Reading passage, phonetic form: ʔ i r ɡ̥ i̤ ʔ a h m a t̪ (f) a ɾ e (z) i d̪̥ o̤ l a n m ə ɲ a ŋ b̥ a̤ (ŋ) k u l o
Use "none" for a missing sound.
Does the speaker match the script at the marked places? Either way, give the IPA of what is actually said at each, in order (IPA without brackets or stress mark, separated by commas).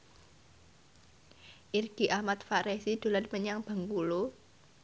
f, s, ŋ